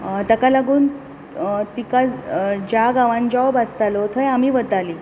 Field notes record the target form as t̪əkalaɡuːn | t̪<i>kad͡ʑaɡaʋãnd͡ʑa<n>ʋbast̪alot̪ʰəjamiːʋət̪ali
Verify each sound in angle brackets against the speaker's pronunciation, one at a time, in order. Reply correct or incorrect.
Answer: correct, incorrect: none

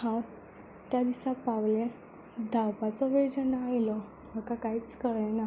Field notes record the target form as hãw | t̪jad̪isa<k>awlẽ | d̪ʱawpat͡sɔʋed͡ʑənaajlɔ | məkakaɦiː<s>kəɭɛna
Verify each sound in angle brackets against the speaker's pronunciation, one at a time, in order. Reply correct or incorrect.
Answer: incorrect: p, incorrect: t͡s

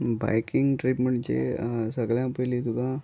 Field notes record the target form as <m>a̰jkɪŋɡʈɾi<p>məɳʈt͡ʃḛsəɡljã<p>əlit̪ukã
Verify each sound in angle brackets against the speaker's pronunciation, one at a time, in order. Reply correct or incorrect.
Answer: incorrect: b, correct, correct

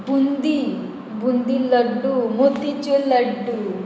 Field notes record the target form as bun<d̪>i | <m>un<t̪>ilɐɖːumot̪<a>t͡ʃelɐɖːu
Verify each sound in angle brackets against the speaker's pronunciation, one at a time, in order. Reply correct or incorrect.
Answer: correct, incorrect: b, incorrect: d̪, incorrect: i

